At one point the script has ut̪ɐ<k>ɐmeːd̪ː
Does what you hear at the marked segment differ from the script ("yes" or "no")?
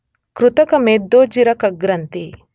no